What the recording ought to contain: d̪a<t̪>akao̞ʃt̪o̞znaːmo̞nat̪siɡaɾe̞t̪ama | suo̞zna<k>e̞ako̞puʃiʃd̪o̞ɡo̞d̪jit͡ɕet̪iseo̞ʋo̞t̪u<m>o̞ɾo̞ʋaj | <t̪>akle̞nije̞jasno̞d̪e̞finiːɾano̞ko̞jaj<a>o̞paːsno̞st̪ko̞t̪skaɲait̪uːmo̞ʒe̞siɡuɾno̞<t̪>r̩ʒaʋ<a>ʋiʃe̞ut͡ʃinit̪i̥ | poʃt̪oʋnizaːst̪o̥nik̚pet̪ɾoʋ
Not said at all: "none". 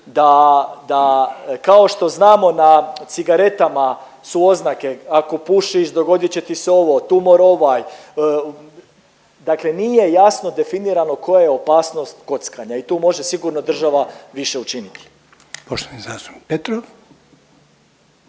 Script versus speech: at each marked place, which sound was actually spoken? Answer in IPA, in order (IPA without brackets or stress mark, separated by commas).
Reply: d̪, k, m, d̪, e, d̪, a